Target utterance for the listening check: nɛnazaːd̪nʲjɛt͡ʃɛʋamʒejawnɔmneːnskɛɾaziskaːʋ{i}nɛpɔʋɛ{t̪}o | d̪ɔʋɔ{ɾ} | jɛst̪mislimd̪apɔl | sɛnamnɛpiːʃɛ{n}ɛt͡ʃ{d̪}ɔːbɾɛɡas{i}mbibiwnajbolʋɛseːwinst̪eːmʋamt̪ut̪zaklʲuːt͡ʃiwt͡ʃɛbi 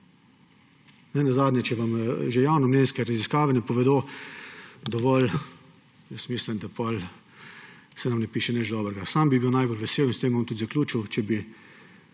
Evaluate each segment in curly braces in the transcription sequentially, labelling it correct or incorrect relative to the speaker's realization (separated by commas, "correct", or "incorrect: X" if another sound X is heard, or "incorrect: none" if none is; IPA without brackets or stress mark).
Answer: incorrect: ɛ, incorrect: d̪, incorrect: l, correct, correct, incorrect: a